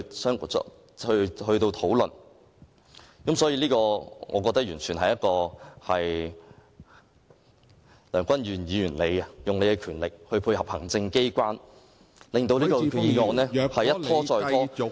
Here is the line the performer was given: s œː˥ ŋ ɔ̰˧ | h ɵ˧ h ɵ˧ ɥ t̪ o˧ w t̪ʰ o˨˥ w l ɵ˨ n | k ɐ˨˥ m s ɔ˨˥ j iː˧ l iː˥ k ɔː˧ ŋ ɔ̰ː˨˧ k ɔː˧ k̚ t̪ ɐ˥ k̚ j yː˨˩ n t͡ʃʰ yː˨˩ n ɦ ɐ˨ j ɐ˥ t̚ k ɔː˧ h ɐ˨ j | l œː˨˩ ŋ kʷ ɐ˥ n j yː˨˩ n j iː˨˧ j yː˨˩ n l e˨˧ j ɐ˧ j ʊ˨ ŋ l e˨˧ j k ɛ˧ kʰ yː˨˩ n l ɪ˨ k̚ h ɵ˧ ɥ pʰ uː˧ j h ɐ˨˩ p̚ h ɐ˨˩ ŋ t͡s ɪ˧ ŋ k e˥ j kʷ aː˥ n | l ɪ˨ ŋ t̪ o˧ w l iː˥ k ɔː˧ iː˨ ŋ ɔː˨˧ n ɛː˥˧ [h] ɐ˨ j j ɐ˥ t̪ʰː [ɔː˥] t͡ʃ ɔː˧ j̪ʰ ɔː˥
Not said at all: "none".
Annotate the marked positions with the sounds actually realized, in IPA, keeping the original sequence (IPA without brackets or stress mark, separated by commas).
h, ɔː˥